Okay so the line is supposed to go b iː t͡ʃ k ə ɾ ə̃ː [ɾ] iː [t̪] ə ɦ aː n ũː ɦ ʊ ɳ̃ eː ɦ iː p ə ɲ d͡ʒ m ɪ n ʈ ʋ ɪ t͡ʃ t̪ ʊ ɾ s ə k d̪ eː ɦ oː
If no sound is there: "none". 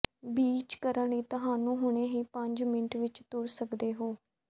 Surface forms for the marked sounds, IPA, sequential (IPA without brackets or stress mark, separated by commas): l, t̪